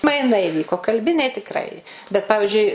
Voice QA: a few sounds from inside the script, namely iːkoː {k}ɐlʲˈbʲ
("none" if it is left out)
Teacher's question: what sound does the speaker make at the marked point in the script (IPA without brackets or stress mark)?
k